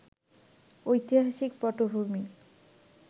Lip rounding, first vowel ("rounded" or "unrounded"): rounded